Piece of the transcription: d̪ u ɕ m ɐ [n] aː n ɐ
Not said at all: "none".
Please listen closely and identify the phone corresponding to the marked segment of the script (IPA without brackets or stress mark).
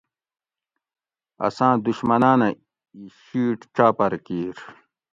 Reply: n